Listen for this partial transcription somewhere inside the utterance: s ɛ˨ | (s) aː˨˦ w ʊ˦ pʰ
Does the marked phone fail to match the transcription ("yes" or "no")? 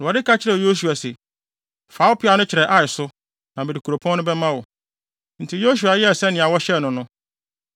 yes